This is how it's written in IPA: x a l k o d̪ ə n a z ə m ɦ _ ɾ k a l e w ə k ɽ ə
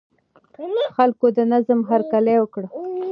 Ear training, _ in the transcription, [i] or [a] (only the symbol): a